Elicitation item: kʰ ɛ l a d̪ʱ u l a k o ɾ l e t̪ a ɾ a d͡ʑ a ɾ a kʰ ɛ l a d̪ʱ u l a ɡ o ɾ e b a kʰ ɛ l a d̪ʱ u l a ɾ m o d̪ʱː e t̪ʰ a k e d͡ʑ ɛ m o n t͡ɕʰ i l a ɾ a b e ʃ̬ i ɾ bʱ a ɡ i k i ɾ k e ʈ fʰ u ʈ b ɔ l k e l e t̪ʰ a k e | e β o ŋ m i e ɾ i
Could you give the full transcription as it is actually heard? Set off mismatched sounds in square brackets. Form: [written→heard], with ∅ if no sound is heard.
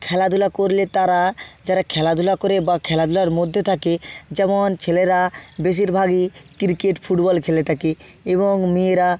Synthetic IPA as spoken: kʰ ɛ l a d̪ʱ u l a k o ɾ l e t̪ a ɾ a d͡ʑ a ɾ a kʰ ɛ l a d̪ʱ u l a [ɡ→k] o ɾ e b a kʰ ɛ l a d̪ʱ u l a ɾ m o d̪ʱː e t̪ʰ a k e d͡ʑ ɛ m o n t͡ɕʰ [i→e] l [a→e] ɾ a b e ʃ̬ i ɾ bʱ a ɡ i k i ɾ k e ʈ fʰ u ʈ b ɔ l [k→kʰ] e l e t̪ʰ a k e | e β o ŋ m i e ɾ [i→a]